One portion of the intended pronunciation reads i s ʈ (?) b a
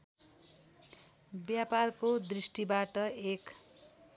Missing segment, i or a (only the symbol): i